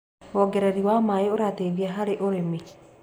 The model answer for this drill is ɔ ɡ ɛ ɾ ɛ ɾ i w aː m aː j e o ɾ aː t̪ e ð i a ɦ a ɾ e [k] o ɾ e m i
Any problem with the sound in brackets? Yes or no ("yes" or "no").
yes